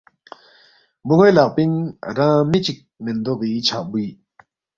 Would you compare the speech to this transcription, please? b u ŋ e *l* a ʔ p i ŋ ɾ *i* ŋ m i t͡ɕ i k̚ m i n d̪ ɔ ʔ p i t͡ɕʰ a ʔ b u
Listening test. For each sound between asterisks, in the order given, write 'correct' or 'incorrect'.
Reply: correct, incorrect: a

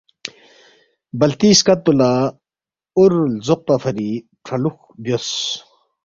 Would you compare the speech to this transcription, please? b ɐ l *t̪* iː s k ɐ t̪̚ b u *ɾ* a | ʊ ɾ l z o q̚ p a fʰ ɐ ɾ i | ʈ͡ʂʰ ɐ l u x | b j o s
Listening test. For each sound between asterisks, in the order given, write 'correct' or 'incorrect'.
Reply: correct, incorrect: l

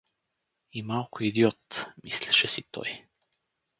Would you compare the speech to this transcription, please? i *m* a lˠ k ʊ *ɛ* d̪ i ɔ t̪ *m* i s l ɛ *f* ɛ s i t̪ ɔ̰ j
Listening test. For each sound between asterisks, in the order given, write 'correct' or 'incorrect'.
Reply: correct, incorrect: i, correct, incorrect: ʃ

